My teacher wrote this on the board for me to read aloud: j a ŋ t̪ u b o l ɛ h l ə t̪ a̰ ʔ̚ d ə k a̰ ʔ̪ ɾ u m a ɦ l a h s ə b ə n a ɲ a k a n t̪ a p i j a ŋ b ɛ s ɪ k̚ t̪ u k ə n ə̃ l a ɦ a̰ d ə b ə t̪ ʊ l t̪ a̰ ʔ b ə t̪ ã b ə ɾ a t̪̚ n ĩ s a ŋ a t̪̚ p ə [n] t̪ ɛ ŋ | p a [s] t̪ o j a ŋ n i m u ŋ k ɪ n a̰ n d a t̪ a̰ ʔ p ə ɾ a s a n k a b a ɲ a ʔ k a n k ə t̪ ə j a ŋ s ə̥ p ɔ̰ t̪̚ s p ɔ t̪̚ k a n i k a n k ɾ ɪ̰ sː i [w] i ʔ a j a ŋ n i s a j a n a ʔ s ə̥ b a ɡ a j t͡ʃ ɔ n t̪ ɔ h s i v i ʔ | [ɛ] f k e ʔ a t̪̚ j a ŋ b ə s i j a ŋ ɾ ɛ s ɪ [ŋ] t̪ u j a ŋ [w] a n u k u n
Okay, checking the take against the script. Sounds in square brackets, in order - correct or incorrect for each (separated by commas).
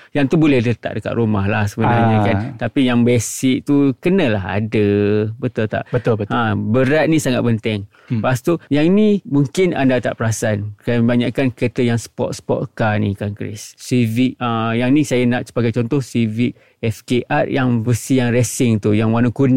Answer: correct, correct, incorrect, correct, correct, correct